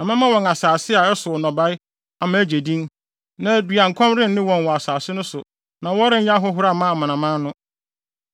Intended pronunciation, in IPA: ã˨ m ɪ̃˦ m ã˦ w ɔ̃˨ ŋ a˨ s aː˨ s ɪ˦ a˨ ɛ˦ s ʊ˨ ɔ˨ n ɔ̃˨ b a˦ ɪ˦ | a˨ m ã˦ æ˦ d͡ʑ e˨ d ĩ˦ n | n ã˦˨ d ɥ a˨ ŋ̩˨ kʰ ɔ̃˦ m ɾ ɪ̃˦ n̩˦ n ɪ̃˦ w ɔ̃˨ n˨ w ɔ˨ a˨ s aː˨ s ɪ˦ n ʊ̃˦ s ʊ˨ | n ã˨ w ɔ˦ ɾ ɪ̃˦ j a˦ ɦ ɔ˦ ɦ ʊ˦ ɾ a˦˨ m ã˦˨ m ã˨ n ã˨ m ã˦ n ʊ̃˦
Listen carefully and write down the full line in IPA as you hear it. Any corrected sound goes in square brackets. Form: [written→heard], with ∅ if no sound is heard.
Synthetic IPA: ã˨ m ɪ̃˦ m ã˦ w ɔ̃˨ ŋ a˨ s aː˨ s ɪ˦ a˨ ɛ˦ s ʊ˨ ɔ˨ n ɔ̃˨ b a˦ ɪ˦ | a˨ m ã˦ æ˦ d͡ʑ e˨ d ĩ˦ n | n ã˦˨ d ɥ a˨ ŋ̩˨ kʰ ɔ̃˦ m ɾ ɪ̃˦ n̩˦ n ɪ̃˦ w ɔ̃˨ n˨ w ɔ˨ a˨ s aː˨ s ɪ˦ n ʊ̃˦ s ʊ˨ | n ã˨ w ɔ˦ ɾ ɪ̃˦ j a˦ ɦ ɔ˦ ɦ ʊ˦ ɾ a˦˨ m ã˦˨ m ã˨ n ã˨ m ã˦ n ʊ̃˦